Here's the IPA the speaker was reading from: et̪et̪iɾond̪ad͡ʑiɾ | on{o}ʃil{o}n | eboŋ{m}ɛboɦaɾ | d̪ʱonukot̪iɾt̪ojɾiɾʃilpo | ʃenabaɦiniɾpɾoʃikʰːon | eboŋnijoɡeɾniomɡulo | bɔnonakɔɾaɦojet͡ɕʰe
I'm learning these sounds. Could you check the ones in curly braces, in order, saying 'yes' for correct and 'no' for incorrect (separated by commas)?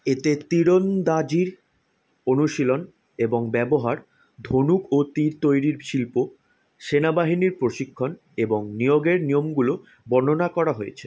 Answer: no, yes, no